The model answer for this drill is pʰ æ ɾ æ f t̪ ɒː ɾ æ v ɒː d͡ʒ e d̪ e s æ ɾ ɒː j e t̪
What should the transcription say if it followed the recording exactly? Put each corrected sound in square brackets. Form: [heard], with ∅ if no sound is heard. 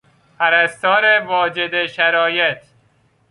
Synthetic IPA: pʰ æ ɾ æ [s] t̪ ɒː ɾ [e] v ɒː d͡ʒ e d̪ e [ʃ] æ ɾ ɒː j e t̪